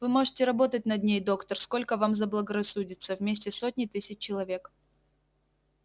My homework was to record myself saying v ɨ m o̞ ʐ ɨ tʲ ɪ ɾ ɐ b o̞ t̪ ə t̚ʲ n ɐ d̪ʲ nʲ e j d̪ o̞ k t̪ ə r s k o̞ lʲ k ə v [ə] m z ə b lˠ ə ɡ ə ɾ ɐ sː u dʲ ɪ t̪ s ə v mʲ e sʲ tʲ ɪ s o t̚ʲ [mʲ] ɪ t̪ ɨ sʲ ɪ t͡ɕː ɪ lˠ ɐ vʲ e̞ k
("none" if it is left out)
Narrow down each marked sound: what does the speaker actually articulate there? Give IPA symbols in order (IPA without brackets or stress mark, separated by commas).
a, nʲ